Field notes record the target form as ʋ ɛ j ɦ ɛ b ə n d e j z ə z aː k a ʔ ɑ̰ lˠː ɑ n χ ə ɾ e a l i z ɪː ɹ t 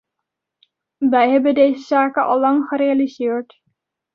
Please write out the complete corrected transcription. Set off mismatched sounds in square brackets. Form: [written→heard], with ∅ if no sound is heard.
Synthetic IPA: ʋ ɛ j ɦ ɛ b ə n d e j z ə z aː k [a→ə] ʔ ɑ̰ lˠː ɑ [n→ŋ] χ ə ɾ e a l i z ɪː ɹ t

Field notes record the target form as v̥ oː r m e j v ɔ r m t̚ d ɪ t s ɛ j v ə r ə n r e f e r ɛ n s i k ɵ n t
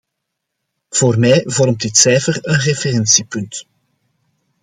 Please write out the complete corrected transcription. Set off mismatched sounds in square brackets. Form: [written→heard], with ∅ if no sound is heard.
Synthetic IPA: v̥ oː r m [e→ɛ] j v ɔ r m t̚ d ɪ t s ɛ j [v→f] ə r ə n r e f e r ɛ n s i [k→p] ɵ n t

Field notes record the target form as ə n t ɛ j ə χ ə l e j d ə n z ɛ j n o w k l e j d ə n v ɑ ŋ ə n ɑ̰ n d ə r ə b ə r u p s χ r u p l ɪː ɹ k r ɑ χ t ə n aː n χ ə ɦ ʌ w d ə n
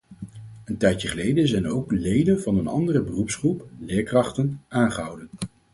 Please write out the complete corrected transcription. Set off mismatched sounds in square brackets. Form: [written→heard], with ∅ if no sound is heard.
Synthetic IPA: ə n t ɛ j ə χ ə l e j d ə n z ɛ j n o w k l e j d ə n v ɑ [ŋ→n] ə n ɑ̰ n d ə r ə b ə r u p s χ r u p l ɪː ɹ k r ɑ χ t ə n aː n χ ə ɦ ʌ w d ə n

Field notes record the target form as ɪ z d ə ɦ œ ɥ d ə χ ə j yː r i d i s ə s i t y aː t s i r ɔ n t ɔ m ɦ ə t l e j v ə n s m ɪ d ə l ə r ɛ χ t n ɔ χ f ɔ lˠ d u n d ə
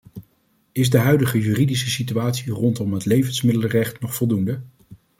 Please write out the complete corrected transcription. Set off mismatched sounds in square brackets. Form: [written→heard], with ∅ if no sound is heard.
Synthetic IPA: ɪ z d ə ɦ œ ɥ d ə χ ə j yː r i d i s ə s i t y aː t s i r ɔ n t ɔ m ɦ ə t l e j v ə n s m ɪ d ə l ə r ɛ χ t n ɔ χ f ɔ lˠ d u n d ə

